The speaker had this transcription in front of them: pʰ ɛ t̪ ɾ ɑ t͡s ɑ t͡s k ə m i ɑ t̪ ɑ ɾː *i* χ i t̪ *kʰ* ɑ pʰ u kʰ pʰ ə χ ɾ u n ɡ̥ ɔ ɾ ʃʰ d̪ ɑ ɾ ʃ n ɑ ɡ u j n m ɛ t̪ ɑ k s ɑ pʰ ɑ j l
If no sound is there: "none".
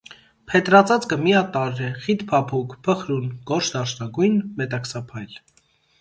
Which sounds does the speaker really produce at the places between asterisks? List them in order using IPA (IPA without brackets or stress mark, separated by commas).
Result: ɛ, pʰ